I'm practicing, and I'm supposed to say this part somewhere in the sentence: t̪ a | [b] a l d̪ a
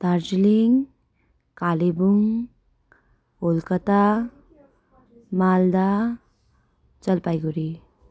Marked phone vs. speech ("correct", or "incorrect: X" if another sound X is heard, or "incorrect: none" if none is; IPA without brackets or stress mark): incorrect: m